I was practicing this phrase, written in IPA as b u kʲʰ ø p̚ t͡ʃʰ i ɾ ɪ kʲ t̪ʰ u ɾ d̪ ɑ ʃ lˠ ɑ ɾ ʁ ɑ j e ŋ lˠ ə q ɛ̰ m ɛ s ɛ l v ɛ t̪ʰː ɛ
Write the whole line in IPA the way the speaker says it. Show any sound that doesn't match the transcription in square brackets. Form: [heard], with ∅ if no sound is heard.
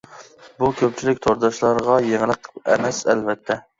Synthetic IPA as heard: b u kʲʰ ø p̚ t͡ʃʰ i [l] ɪ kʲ t̪ʰ [o] ɾ d̪ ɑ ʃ lˠ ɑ ɾ ʁ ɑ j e ŋ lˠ ə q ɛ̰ m ɛ s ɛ l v ɛ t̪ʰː ɛ